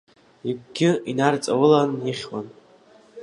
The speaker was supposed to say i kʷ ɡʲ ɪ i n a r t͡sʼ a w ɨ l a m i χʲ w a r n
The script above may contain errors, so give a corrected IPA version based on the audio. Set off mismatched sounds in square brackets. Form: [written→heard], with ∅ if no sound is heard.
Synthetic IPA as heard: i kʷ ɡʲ ɪ i n a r t͡sʼ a w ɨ l a [m→n] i χʲ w a [r→∅] n